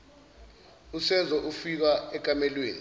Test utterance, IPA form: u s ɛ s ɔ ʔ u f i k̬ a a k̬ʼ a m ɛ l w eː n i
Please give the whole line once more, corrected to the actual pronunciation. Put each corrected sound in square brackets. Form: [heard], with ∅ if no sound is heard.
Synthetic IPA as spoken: u s ɛ [z] ɔ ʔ u f i k̬ a [ɛ] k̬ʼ a m ɛ l w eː n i